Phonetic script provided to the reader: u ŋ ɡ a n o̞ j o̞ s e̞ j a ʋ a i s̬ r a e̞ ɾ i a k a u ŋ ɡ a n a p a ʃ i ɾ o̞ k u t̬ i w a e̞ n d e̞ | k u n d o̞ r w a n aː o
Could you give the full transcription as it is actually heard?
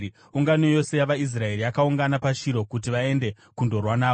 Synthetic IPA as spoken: u ŋ ɡ a n o̞ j o̞ s e̞ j a ʋ a i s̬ r a e̞ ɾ i a k a u ŋ ɡ a n a p a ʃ i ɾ o̞ k u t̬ i ʋ a e̞ n d e̞ | k u n d o̞ r w a n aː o